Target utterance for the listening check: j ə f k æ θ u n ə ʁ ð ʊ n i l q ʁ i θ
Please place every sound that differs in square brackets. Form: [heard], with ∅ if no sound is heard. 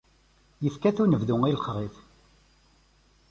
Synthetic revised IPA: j ə f k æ θ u n ə [v] ð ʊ [ŋ] i l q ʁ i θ